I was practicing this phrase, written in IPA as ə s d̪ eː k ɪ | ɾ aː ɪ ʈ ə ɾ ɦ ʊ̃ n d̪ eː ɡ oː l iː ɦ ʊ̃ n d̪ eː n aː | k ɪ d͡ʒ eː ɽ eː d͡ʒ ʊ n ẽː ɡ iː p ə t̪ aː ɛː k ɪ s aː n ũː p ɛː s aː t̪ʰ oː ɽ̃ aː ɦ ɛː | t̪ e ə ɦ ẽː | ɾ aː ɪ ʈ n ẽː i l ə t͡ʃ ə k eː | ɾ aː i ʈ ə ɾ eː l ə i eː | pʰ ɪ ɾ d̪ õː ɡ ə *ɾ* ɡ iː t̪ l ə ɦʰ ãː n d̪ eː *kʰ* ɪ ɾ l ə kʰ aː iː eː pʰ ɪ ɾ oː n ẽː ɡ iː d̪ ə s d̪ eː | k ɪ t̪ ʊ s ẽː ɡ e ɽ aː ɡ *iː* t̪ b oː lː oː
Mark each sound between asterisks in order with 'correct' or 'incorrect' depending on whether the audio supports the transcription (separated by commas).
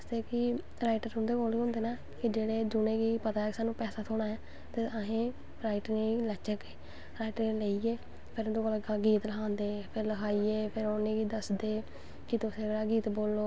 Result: incorrect, incorrect, correct